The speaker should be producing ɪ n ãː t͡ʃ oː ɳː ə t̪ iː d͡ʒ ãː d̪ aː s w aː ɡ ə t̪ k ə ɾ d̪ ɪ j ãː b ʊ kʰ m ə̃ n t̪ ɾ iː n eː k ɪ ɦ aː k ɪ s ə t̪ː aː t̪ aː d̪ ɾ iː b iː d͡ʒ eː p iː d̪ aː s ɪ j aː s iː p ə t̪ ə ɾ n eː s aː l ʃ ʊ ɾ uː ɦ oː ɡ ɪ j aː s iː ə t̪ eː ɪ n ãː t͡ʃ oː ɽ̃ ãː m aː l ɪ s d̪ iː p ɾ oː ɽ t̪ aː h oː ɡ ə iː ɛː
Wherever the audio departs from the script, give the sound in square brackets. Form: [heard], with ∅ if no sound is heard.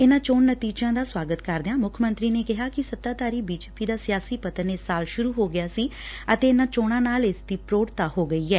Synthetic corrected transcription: ɪ n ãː t͡ʃ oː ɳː ə t̪ iː d͡ʒ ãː d̪ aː s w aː ɡ ə t̪ k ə ɾ d̪ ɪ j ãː [m] ʊ kʰ m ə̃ n t̪ ɾ iː n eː k ɪ ɦ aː k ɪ s ə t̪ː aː t̪ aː [∅] ɾ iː b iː d͡ʒ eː p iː d̪ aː s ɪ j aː s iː p ə t̪ ə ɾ n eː s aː l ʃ ʊ ɾ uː ɦ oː ɡ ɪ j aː s iː ə t̪ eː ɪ n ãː t͡ʃ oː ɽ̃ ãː [n] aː l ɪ s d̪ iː p ɾ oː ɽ t̪ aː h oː ɡ ə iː ɛː